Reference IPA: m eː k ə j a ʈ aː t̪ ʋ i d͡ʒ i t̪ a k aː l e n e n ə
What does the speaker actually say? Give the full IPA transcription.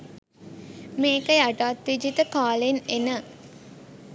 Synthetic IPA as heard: m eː k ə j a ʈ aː t̪ ʋ i d͡ʒ i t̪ ə k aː l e n e n ə